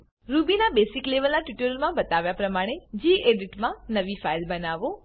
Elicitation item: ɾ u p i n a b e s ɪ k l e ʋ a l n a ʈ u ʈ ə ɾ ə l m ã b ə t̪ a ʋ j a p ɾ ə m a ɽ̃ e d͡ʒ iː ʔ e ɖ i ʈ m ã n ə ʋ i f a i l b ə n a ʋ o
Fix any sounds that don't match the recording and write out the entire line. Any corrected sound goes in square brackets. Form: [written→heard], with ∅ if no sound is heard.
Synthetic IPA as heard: ɾ u [p→b] i n a b e s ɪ k l e ʋ [a→ə] l n a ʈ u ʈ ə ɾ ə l m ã b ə t̪ a ʋ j a p ɾ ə m a ɽ̃ e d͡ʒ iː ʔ e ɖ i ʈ m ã n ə ʋ i f a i l b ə n a ʋ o

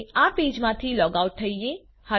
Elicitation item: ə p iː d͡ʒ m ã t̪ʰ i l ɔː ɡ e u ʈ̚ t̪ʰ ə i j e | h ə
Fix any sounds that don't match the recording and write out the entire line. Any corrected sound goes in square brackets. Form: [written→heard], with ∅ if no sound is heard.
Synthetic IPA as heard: [ə→a] p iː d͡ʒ m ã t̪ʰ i l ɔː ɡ [e→a] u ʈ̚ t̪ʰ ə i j e | h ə

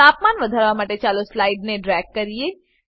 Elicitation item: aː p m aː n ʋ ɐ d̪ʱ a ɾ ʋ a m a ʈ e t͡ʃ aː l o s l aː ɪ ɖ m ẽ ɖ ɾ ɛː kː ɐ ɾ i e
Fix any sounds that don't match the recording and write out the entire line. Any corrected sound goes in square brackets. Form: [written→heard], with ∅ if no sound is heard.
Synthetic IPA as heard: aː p m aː n ʋ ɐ d̪ʱ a ɾ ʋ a m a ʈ e t͡ʃ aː l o s l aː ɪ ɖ [m→n] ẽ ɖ ɾ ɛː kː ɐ ɾ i e

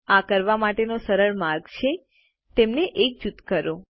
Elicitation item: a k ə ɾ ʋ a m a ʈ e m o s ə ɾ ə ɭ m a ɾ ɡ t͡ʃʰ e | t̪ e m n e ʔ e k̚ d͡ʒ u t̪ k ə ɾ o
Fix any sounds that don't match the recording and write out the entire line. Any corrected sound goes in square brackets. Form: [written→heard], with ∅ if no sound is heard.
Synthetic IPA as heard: a k ə ɾ ʋ a m a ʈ e [m→n] o s ə ɾ ə ɭ m a ɾ ɡ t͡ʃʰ e | t̪ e m n e ʔ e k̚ d͡ʒ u t̪ k ə ɾ o

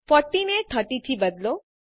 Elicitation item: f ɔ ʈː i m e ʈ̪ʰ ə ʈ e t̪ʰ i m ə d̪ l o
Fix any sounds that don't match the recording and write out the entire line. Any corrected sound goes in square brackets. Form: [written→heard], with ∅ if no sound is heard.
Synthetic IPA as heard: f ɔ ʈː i [m→n] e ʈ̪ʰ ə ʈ [e→i] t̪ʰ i [m→b] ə d̪ l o

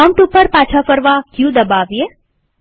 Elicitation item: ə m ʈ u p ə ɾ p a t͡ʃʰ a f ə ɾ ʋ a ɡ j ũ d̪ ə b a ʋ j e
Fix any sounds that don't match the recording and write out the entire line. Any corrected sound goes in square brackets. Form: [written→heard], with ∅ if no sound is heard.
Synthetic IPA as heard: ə m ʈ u p ə ɾ p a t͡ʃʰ a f ə ɾ ʋ a [ɡ→k] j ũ d̪ ə b a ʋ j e

